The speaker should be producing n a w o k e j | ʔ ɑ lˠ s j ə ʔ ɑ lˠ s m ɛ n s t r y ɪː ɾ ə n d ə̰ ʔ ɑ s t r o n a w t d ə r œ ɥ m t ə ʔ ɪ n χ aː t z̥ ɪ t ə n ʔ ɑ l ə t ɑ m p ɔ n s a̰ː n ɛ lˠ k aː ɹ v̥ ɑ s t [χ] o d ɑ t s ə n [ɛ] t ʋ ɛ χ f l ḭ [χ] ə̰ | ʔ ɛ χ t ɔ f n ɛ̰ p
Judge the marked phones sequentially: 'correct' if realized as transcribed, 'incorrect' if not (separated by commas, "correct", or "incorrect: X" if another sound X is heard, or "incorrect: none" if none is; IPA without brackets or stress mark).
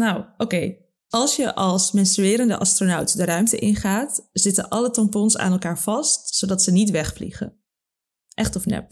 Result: incorrect: s, incorrect: i, correct